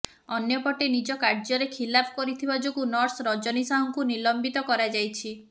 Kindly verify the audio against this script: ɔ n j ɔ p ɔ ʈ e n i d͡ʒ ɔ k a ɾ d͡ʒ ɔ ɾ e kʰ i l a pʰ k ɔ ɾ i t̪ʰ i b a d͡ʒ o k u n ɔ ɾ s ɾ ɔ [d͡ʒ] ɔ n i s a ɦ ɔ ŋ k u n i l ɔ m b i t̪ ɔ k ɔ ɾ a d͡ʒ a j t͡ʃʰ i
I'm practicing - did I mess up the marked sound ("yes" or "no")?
no